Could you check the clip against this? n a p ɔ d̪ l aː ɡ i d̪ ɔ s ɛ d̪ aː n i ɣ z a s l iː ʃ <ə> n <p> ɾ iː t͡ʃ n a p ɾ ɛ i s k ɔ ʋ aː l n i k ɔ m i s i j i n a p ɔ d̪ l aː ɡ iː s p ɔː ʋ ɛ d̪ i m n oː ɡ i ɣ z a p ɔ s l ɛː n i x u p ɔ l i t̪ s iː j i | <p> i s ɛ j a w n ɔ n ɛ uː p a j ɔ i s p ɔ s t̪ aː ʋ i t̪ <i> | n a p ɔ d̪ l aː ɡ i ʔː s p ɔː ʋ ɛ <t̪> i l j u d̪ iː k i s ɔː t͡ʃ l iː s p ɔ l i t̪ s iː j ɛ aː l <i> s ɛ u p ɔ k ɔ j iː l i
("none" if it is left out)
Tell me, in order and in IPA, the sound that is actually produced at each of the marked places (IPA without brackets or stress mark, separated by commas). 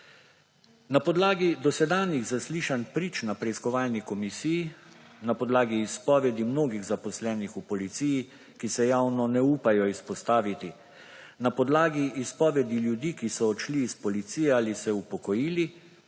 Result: a, p, k, i, d̪, i